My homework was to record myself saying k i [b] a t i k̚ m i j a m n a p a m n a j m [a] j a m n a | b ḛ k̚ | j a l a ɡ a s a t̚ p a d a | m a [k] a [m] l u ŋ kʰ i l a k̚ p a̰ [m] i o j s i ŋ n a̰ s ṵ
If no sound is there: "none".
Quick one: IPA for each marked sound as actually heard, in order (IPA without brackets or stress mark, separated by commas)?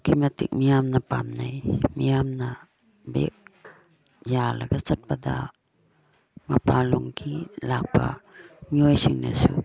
m, i, p, none, m